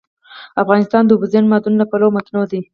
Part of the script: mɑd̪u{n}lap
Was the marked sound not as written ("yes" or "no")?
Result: no